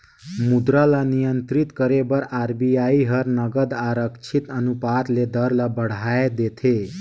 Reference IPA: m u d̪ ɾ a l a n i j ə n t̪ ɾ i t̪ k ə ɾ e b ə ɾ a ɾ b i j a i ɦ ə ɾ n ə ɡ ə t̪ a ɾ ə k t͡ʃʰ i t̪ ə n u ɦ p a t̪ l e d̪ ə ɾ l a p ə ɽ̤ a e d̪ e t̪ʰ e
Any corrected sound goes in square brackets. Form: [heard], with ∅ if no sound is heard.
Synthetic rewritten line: m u d̪ ɾ a l a n i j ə n t̪ ɾ i t̪ k ə ɾ e b ə ɾ a ɾ b i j a i ɦ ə ɾ n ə ɡ ə [d̪] a ɾ ə k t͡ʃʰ i t̪ ə n u [∅] p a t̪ l e d̪ ə ɾ l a [b] ə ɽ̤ a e d̪ e t̪ʰ e

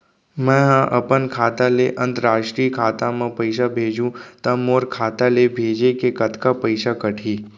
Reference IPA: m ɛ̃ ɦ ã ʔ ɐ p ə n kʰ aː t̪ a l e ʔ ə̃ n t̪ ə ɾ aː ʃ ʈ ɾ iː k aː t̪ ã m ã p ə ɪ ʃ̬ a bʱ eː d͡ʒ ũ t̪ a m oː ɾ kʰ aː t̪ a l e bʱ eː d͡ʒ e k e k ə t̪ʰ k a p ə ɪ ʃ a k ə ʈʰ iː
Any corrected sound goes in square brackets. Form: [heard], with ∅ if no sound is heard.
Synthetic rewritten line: m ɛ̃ ɦ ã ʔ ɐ p ə n kʰ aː t̪ a l e ʔ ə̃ n t̪ ə ɾ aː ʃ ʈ ɾ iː [kʰ] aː t̪ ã m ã p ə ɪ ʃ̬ a bʱ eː d͡ʒ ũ t̪ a m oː ɾ kʰ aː t̪ a l e bʱ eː d͡ʒ e k e k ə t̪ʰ k a p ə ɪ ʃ a k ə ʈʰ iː

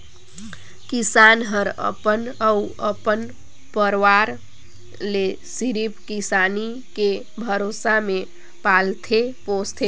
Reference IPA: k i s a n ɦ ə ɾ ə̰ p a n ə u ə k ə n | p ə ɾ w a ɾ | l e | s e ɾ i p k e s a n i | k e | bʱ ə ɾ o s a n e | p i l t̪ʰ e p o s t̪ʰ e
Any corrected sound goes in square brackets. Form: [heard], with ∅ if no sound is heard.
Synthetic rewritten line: k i s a n ɦ ə ɾ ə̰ p [ə] n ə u ə [p] ə n | p ə ɾ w a ɾ | l e | s [i] ɾ i p k [i] s a n i | k e | bʱ ə ɾ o s a [m] e | p [a] l t̪ʰ e p o s t̪ʰ e

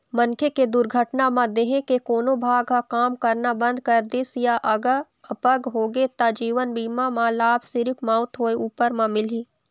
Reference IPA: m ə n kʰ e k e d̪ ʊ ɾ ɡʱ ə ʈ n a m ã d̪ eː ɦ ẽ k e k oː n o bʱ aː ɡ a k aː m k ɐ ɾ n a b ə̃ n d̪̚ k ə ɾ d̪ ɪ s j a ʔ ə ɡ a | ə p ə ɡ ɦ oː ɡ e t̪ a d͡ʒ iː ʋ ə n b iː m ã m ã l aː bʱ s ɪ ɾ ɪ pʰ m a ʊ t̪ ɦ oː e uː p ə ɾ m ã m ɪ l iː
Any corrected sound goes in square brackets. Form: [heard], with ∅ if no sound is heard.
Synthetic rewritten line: m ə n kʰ e k e d̪ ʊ ɾ ɡʱ ə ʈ n a m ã d̪ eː ɦ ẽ k e k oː n o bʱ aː ɡ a k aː m k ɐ ɾ n a b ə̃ n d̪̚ k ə ɾ d̪ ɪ s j a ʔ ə ɡ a | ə p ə ɡ ɦ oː ɡ e t̪ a d͡ʒ iː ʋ ə n b iː m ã m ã l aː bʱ s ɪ ɾ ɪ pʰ m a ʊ t̪ ɦ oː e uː p ə ɾ m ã m ɪ l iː

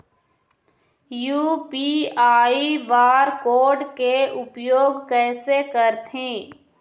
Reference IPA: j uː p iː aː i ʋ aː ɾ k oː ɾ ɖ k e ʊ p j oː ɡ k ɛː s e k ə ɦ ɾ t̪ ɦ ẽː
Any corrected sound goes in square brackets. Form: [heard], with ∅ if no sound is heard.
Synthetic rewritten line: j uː p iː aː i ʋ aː ɾ k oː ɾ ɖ k e ʊ p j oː ɡ k ɛː s e k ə [∅] ɾ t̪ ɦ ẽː

